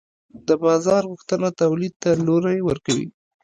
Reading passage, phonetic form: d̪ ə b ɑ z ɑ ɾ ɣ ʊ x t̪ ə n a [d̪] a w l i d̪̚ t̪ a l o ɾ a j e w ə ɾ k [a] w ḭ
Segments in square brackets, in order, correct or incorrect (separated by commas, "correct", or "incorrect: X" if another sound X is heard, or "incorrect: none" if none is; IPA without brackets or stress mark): incorrect: t̪, correct